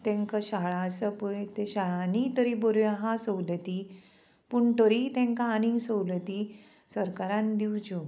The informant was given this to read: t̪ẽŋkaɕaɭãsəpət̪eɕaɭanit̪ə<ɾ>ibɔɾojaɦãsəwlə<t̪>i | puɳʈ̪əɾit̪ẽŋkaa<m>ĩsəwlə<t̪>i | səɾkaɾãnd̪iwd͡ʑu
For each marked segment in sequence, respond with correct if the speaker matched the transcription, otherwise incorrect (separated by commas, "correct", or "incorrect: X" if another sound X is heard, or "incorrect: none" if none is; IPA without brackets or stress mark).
correct, correct, incorrect: n, correct